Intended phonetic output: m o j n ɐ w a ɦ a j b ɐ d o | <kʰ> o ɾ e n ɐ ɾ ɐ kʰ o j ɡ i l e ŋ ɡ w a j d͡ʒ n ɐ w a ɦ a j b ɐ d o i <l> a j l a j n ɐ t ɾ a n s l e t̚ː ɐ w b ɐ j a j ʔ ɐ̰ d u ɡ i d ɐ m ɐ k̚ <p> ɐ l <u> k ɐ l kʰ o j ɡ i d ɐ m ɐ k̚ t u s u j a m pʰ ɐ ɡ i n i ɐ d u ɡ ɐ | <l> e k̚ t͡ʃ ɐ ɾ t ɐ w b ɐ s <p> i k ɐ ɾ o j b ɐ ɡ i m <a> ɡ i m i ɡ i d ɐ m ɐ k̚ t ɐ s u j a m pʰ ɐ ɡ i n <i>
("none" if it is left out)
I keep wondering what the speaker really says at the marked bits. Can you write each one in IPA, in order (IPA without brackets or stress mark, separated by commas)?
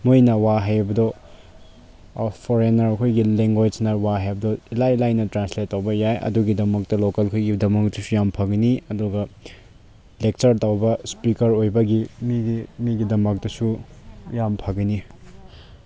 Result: pʰ, l, t, o, l, p, i, i